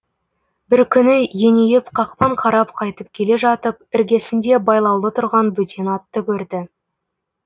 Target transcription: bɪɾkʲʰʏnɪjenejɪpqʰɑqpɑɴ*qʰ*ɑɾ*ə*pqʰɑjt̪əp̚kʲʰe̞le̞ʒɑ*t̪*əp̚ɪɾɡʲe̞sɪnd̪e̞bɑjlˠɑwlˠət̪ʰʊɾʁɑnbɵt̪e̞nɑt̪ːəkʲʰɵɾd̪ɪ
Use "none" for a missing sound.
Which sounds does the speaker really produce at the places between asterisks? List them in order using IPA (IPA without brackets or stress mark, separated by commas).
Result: qʰ, ɑ, t̪